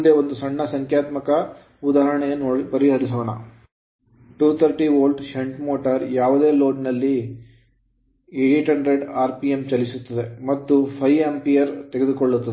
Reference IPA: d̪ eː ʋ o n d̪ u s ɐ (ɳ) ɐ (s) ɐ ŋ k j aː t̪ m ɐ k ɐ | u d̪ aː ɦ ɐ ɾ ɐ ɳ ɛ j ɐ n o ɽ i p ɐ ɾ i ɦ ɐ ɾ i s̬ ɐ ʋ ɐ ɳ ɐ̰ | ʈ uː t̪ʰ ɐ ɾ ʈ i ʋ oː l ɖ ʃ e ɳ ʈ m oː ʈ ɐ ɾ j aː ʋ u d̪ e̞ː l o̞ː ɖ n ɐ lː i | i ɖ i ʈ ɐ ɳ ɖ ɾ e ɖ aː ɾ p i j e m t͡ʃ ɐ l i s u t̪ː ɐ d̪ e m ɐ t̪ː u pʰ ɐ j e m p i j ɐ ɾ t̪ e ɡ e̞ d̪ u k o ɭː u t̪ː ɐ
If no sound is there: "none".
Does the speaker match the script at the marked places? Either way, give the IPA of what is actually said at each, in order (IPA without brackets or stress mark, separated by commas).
ɳː, s